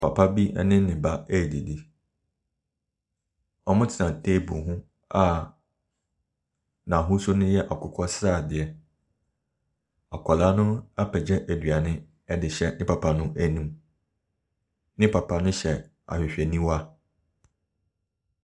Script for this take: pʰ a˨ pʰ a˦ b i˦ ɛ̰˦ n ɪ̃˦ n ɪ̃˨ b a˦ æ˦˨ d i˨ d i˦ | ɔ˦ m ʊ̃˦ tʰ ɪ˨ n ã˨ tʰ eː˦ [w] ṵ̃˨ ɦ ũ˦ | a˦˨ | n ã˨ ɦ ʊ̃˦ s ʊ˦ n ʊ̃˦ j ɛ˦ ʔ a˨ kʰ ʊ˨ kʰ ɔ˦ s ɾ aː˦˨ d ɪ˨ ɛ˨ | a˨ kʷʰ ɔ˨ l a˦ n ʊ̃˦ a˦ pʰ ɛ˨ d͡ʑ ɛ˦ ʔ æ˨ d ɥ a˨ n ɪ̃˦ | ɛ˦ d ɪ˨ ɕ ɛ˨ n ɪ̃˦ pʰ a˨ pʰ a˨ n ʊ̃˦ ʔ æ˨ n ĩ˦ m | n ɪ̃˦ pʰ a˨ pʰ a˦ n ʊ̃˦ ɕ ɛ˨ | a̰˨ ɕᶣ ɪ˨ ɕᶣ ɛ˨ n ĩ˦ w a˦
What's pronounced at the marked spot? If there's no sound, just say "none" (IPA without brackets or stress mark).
b